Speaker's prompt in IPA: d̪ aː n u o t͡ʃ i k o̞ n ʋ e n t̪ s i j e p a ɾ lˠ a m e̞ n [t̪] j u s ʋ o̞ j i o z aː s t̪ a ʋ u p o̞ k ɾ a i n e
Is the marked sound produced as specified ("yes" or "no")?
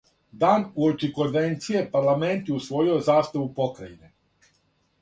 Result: yes